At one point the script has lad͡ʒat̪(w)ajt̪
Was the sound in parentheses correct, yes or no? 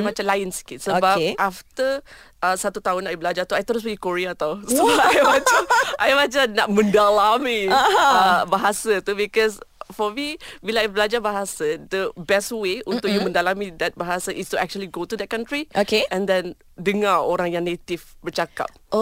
no